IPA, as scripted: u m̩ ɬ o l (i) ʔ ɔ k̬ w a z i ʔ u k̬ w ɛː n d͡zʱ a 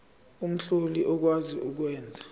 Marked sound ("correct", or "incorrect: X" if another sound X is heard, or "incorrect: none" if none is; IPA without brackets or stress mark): correct